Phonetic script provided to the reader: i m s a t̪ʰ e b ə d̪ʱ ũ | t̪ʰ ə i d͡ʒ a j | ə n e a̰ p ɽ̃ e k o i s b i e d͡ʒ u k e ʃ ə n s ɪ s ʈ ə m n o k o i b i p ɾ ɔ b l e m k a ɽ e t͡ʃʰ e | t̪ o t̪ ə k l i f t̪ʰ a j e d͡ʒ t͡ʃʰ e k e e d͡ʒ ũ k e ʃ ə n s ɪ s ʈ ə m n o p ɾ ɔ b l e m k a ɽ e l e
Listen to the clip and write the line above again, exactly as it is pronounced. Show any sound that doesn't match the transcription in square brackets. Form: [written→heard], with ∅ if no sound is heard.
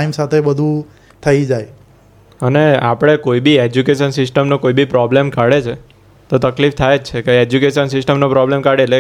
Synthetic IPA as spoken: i m s a t̪ʰ e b ə d̪ʱ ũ | t̪ʰ ə i d͡ʒ a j | ə n e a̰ p ɽ̃ e k o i [s→∅] b i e d͡ʒ u k e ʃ ə n s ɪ s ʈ ə m n o k o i b i p ɾ ɔ b l e m k a ɽ e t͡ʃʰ e | t̪ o t̪ ə k l i f t̪ʰ a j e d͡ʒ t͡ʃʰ e k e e d͡ʒ [ũ→u] k e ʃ ə n s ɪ s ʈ ə m n o p ɾ ɔ b l e m k a ɽ e l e